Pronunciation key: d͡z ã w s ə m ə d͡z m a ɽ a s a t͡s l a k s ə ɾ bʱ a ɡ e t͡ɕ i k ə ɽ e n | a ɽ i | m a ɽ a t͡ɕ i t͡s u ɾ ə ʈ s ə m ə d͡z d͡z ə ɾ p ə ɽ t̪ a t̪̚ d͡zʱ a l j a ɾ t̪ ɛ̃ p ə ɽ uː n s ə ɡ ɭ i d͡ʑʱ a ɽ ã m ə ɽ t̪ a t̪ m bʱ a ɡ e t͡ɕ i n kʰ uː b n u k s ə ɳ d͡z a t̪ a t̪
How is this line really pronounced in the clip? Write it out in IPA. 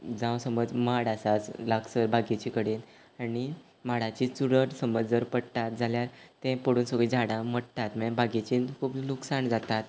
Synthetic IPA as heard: d͡z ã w s ə m ə d͡z m a ɽ a s a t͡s l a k s ə ɾ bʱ a ɡ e t͡ɕ i k ə ɽ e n | a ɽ i | m a ɽ a t͡ɕ i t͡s u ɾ ə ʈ s ə m ə d͡z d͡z ə ɾ p ə ɽ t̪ a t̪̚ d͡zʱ a l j a ɾ t̪ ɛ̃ p ə ɽ uː n s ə ɡ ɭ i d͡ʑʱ a ɽ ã m ə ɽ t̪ a t̪ m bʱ a ɡ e t͡ɕ i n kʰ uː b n u k s a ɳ d͡z a t̪ a t̪